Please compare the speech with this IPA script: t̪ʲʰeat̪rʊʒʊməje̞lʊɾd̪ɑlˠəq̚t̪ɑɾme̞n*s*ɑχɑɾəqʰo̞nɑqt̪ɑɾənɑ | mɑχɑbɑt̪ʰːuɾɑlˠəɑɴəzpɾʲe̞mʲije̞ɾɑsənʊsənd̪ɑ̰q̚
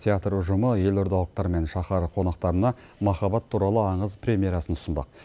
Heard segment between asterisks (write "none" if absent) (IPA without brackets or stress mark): ʃ